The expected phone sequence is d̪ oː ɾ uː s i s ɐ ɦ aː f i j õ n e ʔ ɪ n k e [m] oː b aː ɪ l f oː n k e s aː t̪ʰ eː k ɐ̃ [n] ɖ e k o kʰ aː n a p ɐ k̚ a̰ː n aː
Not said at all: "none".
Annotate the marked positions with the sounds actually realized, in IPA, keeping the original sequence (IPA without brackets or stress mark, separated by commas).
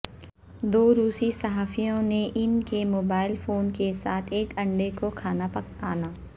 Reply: m, ɳ